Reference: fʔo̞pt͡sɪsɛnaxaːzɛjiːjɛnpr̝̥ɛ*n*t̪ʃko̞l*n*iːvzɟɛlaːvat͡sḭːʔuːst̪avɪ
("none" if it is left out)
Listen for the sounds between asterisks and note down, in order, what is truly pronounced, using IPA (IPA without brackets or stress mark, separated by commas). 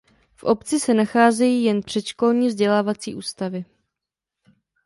none, ɲ